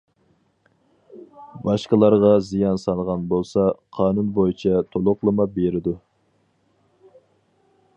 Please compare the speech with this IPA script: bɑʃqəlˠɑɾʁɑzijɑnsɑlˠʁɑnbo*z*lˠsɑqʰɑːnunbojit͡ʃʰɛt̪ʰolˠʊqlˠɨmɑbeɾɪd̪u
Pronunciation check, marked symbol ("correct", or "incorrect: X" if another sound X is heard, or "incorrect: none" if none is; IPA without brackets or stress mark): incorrect: none